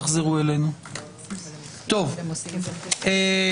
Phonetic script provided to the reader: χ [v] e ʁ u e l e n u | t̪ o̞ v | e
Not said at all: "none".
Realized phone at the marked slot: z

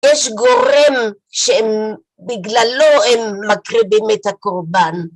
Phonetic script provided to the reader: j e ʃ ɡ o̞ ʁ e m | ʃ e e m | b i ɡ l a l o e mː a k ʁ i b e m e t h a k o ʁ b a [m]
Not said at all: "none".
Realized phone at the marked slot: n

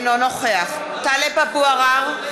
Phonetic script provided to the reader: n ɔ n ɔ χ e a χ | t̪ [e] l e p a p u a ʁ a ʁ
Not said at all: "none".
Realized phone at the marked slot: a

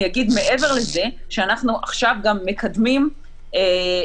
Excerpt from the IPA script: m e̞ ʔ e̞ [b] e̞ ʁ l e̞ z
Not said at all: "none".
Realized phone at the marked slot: v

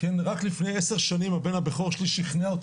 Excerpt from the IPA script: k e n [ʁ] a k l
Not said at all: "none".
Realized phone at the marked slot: ʁ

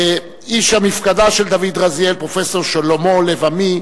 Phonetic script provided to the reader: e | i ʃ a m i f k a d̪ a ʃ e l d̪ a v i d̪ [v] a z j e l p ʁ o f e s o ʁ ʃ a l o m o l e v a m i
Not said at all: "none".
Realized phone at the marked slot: ʁ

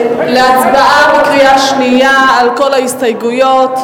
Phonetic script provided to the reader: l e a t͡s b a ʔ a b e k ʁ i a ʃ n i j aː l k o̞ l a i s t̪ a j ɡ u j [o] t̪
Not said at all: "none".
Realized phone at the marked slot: o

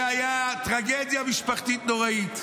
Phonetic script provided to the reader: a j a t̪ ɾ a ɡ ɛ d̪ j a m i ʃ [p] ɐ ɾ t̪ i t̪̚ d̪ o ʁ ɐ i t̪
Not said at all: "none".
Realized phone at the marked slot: p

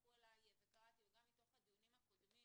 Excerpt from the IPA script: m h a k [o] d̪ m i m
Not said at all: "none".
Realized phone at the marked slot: o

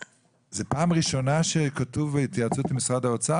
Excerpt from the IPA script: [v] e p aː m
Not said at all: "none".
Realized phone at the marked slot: z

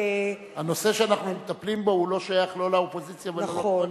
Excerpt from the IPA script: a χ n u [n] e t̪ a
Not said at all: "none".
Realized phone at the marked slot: m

